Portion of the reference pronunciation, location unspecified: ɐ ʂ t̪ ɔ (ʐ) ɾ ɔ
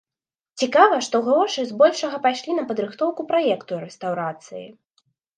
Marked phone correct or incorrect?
incorrect